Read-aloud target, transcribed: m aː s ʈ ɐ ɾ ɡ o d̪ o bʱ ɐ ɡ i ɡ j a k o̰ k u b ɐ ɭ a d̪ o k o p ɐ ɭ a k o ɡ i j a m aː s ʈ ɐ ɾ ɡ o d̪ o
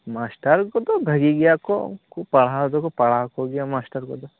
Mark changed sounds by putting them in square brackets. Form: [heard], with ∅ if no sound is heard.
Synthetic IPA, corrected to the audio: m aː s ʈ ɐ ɾ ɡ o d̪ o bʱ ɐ ɡ i ɡ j a k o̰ k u [p] ɐ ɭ a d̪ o k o p ɐ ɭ a k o ɡ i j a m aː s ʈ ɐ ɾ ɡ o d̪ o